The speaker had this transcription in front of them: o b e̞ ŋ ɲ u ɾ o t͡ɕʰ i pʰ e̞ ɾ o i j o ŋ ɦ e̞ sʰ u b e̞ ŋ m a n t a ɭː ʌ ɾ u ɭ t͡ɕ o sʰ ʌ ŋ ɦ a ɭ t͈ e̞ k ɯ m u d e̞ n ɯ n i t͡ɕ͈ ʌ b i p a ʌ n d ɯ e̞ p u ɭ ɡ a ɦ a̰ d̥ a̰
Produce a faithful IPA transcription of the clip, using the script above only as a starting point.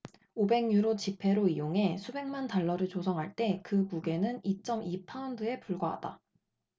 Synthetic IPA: o b e̞ ŋ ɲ u ɾ o t͡ɕ i pʰ e̞ ɾ o i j o ŋ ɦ e̞ sʰ u b e̞ ŋ m a n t a ɭː ʌ ɾ ɯ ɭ t͡ɕ o sʰ ʌ ŋ ɦ a ɭ t͈ e̞ k ɯ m u ɡ e̞ n ɯ n i t͡ɕ͈ ʌ m i pʰ a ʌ n d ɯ e̞ p u ɭ ɡ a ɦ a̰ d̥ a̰

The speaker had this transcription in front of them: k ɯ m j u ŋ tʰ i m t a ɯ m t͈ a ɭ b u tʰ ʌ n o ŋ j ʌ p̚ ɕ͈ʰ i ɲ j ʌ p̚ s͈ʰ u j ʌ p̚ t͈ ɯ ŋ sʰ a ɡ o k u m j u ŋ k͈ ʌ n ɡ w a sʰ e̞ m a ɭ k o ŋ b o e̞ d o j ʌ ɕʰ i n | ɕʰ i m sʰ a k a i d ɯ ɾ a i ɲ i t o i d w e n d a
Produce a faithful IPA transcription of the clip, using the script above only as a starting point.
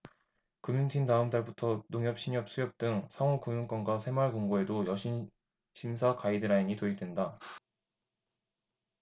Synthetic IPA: k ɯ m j u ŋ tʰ i n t a ɯ m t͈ a ɭ b u tʰ ʌ n o ŋ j ʌ p̚ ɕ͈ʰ i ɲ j ʌ p̚ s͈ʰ u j ʌ p̚ t͈ ɯ ŋ sʰ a ŋ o k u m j u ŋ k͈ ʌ n ɡ w a sʰ e̞ m a ɭ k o ŋ ɡ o e̞ d o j ʌ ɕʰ i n | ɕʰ i m sʰ a k a i d ɯ ɾ a i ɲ i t o i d w e n d a

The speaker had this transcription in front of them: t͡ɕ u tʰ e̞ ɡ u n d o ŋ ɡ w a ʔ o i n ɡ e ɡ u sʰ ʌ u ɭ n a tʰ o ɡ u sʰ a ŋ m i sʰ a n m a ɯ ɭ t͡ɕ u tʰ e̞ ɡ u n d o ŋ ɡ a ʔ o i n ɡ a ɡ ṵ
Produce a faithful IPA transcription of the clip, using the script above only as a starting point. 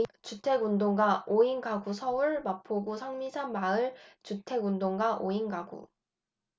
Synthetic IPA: t͡ɕ u tʰ e̞ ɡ u n d o ŋ ɡ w a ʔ o i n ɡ a ɡ u sʰ ʌ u ɭ m a pʰ o ɡ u sʰ a ŋ m i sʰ a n m a ɯ ɭ t͡ɕ u tʰ e̞ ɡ u n d o ŋ ɡ a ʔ o i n ɡ a ɡ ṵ

